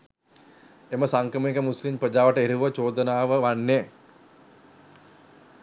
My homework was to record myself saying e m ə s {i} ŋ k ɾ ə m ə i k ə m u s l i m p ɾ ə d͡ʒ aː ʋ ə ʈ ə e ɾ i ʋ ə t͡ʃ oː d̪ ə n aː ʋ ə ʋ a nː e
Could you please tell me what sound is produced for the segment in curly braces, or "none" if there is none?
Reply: a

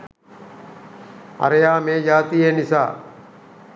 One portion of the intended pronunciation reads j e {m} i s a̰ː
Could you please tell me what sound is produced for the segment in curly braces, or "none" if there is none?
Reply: n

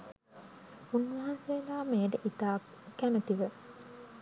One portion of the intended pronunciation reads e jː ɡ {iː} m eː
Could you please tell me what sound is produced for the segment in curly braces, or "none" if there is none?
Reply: aː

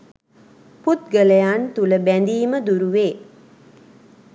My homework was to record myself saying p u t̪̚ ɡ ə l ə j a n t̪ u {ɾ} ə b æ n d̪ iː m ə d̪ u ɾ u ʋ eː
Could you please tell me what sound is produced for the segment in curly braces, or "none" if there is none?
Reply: l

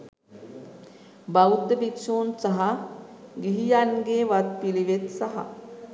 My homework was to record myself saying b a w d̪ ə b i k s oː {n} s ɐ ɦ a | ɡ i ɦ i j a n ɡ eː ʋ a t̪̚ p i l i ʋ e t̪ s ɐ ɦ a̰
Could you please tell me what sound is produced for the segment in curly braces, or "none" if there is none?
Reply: n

